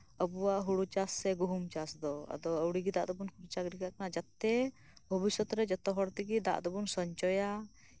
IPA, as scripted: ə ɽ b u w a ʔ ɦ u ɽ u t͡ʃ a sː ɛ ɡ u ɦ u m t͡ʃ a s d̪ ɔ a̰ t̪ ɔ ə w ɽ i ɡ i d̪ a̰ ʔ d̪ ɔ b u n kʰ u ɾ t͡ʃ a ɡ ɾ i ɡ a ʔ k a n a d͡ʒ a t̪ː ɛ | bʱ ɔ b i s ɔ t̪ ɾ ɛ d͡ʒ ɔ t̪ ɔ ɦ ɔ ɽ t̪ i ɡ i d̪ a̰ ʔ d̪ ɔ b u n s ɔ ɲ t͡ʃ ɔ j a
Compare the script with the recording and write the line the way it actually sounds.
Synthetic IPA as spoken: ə b u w a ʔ ɦ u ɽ u t͡ʃ a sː ɛ ɡ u ɦ u m t͡ʃ a s d̪ ɔ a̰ d̪ ɔ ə w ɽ i ɡ i d̪ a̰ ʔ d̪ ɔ b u n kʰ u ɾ t͡ʃ a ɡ ɾ i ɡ a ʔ k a n a d͡ʒ a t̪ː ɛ | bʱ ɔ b i s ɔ t̪ ɾ ɛ d͡ʒ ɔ t̪ ɔ ɦ ɔ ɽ t̪ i ɡ i d̪ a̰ ʔ d̪ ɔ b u n s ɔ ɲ t͡ʃ ɔ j a